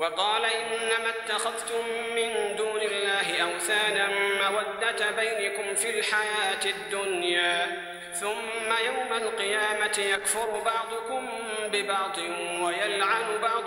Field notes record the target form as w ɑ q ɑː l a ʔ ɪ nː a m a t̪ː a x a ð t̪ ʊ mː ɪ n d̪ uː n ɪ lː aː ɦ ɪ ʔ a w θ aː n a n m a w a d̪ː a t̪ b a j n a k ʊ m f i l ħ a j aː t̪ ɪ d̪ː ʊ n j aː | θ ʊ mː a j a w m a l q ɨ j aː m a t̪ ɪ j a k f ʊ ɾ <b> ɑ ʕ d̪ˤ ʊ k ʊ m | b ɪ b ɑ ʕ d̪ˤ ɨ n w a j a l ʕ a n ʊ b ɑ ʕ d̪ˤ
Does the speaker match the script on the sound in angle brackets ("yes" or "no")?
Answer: yes